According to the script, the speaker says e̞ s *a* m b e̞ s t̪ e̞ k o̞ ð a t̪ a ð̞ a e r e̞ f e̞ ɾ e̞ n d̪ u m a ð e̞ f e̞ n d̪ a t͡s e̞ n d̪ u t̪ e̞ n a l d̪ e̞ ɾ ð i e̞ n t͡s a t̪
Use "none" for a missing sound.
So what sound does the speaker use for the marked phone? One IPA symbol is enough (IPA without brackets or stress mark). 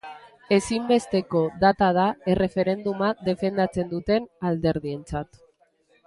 i